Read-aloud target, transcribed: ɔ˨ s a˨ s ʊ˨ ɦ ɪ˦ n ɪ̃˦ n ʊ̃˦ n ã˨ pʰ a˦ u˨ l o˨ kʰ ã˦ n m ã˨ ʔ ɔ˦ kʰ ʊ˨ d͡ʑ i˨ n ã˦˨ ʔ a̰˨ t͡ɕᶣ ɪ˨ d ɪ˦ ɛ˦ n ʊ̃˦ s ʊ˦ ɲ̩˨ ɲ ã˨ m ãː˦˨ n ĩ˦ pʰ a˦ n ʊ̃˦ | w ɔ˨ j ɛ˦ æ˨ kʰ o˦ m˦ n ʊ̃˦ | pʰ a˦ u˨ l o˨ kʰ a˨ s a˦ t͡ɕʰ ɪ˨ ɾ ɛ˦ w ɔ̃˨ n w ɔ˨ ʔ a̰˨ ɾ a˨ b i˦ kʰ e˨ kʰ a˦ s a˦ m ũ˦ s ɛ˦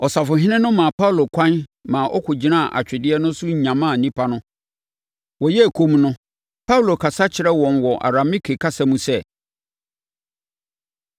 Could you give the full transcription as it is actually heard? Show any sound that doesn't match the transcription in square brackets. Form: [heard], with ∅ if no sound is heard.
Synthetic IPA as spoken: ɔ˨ s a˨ [f] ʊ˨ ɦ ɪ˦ n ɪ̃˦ n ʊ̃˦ [m] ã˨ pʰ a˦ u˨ l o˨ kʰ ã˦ n m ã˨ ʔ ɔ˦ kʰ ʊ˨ d͡ʑ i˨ n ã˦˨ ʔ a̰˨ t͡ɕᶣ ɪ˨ d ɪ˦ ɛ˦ n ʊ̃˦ s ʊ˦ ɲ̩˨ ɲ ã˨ m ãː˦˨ n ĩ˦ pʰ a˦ n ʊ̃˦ | w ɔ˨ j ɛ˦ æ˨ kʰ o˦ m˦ n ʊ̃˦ | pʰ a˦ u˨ l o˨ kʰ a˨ s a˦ t͡ɕʰ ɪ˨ ɾ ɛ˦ w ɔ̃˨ n w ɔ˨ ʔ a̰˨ ɾ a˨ [m] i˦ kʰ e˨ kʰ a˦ s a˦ m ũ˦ s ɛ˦